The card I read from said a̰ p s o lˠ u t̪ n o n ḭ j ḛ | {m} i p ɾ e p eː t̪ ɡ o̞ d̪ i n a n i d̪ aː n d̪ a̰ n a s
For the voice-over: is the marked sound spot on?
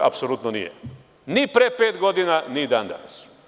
no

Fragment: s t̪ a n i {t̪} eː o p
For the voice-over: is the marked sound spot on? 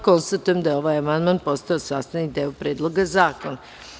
no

